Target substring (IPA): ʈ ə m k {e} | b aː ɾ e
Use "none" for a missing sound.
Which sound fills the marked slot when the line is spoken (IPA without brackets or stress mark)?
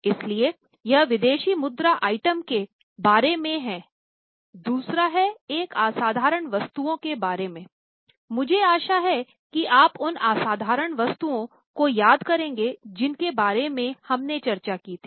e